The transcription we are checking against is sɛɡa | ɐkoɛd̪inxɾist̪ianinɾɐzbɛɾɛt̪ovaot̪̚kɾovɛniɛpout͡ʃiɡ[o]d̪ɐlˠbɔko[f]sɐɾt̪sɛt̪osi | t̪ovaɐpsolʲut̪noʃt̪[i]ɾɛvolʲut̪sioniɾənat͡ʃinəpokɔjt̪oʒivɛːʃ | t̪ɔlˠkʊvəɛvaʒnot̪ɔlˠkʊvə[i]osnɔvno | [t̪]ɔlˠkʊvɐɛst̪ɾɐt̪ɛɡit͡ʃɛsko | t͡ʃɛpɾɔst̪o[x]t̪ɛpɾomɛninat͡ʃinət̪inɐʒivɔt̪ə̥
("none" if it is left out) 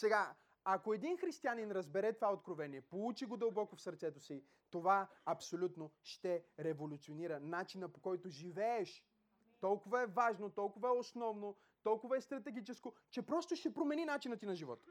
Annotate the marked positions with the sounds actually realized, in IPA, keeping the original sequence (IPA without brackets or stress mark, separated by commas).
o, f, ɛ, ɛ, t̪, ʃ